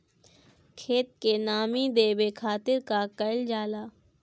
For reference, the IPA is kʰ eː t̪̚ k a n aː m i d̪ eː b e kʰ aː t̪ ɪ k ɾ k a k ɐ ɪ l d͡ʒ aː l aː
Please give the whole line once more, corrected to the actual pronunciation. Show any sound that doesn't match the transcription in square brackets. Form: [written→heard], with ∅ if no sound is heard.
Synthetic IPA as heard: kʰ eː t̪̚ k [a→e] n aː m i d̪ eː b e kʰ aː t̪ ɪ [k→∅] ɾ k a k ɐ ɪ l d͡ʒ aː l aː